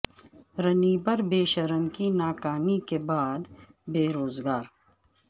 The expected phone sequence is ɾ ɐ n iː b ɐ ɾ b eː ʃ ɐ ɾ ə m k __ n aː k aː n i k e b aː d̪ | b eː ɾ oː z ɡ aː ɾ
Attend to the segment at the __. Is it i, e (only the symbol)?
i